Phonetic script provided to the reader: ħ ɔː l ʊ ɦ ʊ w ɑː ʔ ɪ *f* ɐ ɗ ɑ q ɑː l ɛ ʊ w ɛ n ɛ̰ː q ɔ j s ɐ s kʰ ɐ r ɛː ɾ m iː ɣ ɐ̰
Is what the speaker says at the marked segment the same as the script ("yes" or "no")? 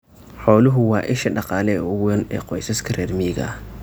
no